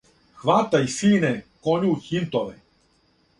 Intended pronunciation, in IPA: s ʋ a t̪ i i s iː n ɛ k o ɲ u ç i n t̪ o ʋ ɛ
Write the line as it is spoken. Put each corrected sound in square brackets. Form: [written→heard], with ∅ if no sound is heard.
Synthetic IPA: [s→x] ʋ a t̪ [i→a] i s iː n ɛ k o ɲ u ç i n t̪ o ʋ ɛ